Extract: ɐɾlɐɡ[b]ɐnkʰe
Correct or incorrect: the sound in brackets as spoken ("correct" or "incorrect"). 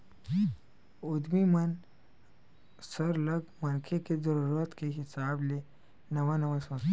incorrect